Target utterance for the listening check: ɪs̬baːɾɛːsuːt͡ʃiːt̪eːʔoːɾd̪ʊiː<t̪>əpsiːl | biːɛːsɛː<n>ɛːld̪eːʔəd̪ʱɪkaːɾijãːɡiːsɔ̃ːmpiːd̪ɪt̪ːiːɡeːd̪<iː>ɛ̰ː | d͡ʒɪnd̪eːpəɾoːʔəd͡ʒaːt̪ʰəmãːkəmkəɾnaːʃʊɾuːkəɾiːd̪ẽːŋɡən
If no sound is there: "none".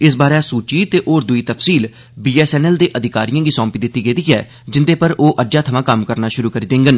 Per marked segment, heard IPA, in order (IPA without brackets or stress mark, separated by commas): t̪, n, iː